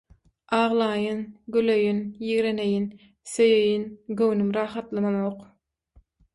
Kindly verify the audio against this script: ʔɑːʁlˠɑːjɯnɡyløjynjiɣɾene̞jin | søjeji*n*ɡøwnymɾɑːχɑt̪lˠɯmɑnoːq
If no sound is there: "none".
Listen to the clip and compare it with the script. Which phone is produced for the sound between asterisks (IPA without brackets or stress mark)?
n